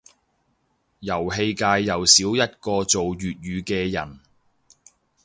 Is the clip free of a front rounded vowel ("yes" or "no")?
no